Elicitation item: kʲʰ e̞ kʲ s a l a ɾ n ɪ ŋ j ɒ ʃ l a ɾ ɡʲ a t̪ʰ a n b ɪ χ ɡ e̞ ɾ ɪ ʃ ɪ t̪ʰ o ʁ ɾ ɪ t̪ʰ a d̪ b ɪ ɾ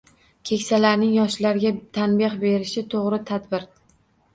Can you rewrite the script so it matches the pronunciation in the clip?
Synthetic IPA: kʲʰ e̞ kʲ s a l a ɾ n ɪ ŋ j ɒ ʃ l a ɾ ɡʲ a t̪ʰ a n b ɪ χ b e̞ ɾ ɪ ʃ ɪ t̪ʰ o ʁ ɾ ɪ t̪ʰ a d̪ b ɪ ɾ